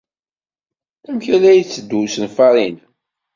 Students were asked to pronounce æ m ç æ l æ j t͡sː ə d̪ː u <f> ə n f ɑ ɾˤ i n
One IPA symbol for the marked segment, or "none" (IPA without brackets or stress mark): s